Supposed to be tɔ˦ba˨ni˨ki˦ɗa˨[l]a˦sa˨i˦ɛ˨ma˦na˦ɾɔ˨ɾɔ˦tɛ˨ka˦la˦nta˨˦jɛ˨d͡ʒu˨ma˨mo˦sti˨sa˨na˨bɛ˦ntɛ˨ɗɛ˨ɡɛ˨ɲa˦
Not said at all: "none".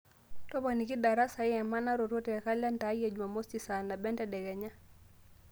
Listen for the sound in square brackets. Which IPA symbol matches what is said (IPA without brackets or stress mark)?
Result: ɾ